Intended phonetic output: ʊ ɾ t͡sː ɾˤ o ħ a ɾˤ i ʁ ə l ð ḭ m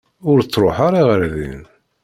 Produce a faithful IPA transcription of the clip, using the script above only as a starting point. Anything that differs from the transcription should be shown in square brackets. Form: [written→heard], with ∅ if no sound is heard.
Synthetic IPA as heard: ʊ ɾ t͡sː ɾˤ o ħ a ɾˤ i ʁ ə [l→ɾ] ð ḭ [m→n]